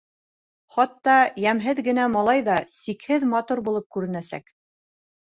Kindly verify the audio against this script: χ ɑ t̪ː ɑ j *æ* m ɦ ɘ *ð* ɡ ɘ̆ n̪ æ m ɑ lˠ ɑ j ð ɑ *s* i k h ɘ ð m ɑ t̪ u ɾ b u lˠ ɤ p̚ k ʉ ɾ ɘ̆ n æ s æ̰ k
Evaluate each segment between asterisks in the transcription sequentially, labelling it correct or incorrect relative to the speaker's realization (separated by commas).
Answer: correct, correct, correct